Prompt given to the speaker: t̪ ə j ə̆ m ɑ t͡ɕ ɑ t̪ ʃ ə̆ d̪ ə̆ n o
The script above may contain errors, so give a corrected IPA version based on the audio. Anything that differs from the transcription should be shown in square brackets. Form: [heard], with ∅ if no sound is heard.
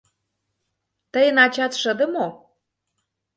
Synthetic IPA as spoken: t̪ ə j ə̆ [n] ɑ t͡ɕ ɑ t̪ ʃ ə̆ d̪ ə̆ [m] o